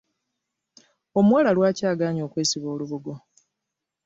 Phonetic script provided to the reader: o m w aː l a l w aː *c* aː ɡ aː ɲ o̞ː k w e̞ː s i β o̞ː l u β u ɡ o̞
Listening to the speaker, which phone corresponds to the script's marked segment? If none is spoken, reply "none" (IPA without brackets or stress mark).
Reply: c